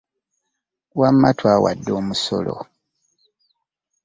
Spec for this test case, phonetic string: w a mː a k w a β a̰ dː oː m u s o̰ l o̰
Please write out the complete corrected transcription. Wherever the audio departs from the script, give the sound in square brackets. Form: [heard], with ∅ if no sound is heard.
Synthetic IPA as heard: w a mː a [t] w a [w] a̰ dː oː m u s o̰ l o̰